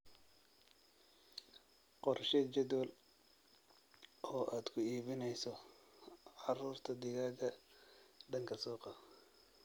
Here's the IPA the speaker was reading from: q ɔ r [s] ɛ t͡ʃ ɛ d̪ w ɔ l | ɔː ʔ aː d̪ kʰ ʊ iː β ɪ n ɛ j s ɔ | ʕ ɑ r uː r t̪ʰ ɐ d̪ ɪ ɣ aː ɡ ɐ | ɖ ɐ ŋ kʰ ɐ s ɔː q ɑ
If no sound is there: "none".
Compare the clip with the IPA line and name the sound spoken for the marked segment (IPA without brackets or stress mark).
ʃ